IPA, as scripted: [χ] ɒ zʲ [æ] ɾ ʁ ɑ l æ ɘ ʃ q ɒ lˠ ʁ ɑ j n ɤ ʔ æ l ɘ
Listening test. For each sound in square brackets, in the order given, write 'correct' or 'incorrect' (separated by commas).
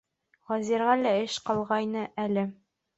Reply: incorrect, incorrect